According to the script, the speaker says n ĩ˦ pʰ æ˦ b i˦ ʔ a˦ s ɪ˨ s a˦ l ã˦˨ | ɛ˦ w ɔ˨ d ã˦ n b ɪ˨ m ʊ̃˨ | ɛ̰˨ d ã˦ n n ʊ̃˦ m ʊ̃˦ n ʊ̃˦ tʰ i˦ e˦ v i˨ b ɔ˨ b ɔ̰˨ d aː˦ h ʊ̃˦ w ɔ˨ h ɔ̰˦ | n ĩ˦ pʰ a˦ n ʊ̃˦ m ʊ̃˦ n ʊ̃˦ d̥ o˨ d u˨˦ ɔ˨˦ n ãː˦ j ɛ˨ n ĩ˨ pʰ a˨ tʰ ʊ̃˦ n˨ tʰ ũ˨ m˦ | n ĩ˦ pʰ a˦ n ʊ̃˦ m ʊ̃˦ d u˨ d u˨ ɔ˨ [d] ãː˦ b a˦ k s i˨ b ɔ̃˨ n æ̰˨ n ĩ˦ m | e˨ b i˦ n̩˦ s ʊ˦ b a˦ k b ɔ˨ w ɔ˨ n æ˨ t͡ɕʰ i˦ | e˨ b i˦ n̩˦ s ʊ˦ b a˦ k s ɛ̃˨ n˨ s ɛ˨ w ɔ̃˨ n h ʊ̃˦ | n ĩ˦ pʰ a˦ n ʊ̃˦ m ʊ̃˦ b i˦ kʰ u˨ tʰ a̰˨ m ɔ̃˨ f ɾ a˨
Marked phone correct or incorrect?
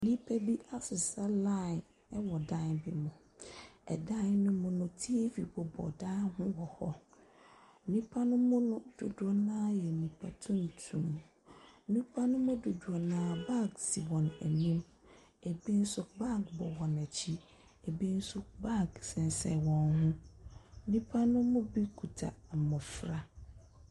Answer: incorrect